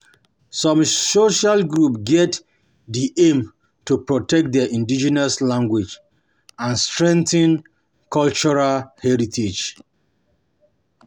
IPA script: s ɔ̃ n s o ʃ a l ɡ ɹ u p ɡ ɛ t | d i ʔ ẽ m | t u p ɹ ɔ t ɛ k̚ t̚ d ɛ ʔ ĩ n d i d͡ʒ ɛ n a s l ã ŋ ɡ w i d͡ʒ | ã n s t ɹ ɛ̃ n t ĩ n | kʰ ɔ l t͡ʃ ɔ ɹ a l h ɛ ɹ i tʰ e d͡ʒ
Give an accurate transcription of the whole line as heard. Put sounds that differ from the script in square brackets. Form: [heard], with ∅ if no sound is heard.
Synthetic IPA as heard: s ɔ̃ [m] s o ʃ a l ɡ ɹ u p ɡ ɛ t | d i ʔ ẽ m | t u p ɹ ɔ t ɛ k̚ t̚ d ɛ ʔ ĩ n d i d͡ʒ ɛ n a s l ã ŋ ɡ w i d͡ʒ | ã n s t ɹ ɛ̃ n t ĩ n | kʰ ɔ l t͡ʃ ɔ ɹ a l h ɛ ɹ i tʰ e d͡ʒ

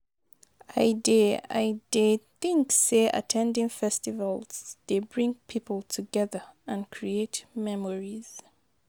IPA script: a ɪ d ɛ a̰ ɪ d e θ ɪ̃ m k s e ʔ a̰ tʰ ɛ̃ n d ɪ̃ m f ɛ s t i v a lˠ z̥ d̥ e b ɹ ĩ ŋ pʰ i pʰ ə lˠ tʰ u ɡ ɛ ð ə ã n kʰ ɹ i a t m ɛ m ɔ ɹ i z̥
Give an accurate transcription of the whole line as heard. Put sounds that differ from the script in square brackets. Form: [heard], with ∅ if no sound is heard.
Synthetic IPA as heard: a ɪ d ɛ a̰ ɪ d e θ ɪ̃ [ŋ] k s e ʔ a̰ tʰ ɛ̃ n d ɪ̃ [ŋ] f ɛ s t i v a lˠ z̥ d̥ e b ɹ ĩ ŋ pʰ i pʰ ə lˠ tʰ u ɡ ɛ ð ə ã n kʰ ɹ i [e] t m ɛ m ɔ ɹ i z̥

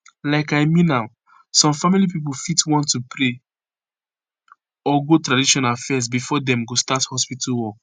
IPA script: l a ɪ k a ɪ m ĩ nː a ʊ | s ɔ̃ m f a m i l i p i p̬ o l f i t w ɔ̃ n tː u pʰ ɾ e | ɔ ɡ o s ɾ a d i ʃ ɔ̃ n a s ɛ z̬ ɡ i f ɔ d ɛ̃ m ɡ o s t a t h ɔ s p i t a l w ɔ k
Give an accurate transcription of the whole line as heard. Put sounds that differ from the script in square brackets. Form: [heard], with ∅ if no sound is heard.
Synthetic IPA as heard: l a ɪ k a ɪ m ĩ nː a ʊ | s ɔ̃ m f a m i l i p i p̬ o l f i t w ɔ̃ n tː u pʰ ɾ e | ɔ ɡ o [t] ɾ a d i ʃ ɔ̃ n a [f] ɛ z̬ [b] i f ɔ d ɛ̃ m ɡ o s t a t h ɔ s p i t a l w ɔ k

